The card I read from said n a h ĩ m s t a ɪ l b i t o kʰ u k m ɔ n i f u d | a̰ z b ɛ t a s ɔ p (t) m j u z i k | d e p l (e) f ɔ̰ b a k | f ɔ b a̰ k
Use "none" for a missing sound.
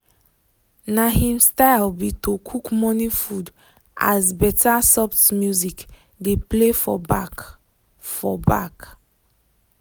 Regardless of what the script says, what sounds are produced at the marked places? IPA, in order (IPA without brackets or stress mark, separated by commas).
t, e